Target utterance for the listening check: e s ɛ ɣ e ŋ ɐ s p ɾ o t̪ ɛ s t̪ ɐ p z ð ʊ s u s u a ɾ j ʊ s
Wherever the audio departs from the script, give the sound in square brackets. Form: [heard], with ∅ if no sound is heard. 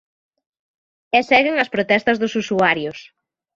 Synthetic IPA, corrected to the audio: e s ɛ ɣ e ŋ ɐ s p ɾ o t̪ ɛ s t̪ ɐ [∅] z ð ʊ s u s u a ɾ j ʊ s